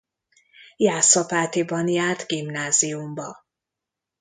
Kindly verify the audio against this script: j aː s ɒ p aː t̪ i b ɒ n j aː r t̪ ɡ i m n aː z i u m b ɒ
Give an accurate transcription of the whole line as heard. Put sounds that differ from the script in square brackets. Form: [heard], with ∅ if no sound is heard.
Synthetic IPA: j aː s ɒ p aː t̪ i b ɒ n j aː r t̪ ɡ i m n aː z i u m b ɒ